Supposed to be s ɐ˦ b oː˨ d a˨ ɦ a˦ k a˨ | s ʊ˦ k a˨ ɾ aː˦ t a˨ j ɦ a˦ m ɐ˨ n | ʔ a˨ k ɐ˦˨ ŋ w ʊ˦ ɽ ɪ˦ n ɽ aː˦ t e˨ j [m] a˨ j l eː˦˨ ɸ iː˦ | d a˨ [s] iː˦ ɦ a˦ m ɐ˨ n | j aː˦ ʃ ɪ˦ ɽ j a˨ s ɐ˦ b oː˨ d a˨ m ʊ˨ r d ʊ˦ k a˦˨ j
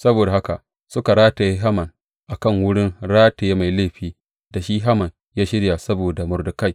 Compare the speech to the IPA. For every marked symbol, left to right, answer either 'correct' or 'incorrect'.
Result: correct, incorrect: ʃ

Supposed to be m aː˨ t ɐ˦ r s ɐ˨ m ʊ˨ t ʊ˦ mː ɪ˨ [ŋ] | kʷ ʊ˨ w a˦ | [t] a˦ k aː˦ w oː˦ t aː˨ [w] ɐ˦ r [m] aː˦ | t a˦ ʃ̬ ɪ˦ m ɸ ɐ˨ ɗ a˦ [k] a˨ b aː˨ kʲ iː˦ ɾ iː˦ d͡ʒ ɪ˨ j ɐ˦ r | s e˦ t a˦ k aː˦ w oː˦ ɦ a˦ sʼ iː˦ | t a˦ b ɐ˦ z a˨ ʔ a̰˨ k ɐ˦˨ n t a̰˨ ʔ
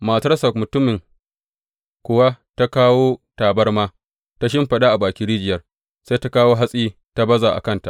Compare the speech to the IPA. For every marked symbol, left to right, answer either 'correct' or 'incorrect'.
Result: correct, correct, incorrect: b, correct, incorrect: ʔ

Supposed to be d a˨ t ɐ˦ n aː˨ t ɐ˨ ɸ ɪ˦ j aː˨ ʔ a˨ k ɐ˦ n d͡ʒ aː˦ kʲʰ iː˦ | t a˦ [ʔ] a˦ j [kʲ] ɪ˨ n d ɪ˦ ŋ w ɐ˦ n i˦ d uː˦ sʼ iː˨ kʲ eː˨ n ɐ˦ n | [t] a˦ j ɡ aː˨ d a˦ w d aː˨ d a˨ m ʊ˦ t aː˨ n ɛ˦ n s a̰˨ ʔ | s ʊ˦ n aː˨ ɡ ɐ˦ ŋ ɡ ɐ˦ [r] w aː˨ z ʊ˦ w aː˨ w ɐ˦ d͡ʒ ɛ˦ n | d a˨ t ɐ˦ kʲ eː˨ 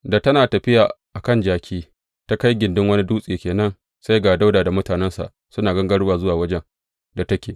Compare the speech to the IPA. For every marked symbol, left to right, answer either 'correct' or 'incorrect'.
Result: incorrect: k, incorrect: ɡʲ, incorrect: s, incorrect: ɽ

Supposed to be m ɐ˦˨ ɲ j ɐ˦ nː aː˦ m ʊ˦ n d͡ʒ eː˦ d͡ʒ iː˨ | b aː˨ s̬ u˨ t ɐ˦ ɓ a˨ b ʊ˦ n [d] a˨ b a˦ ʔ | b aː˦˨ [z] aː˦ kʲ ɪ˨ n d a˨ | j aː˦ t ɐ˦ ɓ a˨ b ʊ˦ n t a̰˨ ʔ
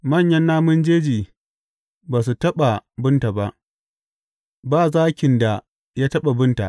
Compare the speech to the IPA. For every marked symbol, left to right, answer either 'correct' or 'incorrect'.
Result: incorrect: t, correct

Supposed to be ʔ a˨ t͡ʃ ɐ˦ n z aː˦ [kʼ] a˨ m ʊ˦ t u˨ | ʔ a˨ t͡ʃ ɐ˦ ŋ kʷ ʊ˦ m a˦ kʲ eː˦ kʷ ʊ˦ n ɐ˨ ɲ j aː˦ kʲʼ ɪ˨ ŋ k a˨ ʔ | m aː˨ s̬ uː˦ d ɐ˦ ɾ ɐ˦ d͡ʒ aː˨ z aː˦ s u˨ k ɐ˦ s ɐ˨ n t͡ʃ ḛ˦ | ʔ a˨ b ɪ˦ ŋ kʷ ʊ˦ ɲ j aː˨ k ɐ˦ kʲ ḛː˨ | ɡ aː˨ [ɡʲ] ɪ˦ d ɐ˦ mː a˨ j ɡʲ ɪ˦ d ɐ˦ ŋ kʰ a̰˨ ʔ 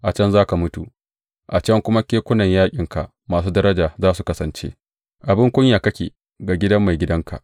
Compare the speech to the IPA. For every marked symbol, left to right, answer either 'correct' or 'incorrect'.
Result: incorrect: k, correct

